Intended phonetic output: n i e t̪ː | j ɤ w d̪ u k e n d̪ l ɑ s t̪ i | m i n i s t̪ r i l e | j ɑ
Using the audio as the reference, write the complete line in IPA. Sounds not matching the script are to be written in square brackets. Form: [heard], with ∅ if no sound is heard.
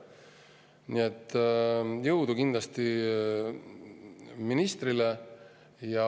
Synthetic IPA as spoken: n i e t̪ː | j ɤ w d̪ u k [i] n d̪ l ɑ s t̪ i | m i n i s t̪ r i l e | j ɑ